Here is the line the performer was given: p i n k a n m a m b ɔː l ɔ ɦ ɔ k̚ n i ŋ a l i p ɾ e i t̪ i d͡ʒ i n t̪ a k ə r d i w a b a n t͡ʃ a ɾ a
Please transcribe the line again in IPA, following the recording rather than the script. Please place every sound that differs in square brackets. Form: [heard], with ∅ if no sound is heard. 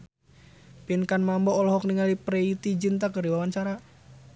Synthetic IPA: p i n k a n m a m b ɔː l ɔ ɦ ɔ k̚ n i ŋ a l i p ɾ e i t̪ i d͡ʒ i n t̪ a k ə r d i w a [w] a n t͡ʃ a ɾ a